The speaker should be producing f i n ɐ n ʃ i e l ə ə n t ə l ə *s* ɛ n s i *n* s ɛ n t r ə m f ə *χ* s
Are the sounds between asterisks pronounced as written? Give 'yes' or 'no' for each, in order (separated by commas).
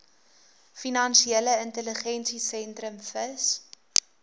no, no, no